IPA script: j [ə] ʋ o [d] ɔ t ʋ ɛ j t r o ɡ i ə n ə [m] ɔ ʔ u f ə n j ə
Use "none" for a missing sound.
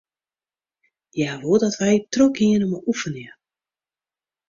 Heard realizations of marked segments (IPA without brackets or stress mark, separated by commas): a, d, m